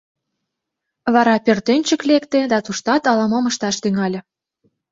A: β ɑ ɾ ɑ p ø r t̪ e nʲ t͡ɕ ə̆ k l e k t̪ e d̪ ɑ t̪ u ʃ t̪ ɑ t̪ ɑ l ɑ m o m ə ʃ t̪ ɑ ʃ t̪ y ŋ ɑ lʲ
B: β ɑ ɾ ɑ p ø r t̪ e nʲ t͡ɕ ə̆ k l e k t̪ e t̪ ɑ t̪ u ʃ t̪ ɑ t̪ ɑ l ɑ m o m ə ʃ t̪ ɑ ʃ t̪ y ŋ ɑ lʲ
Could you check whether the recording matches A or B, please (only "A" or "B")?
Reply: A